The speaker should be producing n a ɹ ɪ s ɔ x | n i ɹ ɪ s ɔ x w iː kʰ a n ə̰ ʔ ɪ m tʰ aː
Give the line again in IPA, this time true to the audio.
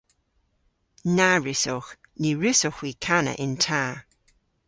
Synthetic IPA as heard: n a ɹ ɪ s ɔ x | n i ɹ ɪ s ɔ x w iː kʰ a n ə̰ ʔ ɪ n tʰ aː